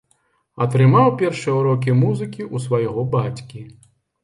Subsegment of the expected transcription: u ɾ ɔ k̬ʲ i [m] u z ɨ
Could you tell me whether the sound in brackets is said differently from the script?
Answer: no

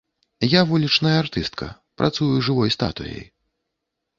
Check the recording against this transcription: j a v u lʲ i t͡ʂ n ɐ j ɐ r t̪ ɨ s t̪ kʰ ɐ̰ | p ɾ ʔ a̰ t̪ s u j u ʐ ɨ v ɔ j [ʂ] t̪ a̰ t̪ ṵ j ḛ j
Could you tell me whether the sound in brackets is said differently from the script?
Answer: yes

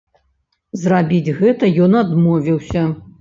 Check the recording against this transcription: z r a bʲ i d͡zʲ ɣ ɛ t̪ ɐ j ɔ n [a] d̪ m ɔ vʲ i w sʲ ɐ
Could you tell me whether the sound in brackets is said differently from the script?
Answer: no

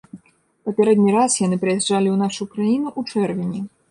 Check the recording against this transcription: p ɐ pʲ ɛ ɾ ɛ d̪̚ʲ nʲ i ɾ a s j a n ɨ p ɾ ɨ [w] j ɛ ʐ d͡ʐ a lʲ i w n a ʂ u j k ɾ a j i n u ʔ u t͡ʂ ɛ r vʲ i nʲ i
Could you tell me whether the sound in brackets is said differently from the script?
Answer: yes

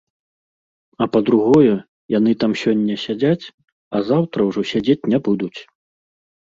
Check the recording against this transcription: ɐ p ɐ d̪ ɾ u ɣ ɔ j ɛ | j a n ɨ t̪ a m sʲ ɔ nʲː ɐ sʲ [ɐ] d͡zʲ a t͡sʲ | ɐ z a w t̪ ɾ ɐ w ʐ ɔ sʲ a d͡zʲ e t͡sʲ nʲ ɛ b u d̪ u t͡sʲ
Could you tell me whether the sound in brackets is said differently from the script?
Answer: yes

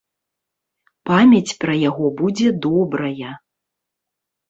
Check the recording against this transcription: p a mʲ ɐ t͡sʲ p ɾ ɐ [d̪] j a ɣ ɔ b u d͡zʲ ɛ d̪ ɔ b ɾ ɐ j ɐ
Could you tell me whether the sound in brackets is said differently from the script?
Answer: yes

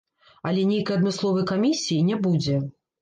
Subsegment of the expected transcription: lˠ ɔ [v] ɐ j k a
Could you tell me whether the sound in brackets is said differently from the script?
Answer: no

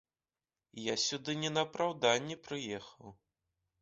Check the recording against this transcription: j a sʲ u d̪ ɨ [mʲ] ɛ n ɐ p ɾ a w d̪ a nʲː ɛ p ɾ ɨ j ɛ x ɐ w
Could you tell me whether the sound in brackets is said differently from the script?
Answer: yes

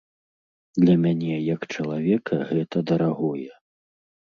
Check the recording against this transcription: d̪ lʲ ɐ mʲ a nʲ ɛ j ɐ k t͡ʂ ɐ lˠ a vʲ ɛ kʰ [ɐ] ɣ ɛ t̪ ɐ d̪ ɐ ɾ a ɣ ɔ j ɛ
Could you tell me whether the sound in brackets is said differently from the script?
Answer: no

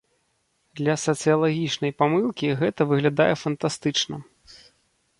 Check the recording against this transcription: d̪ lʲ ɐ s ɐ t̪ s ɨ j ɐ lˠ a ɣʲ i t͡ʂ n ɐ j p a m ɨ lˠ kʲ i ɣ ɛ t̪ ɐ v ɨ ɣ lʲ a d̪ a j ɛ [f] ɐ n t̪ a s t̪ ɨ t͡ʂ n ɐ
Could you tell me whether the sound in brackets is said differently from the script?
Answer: no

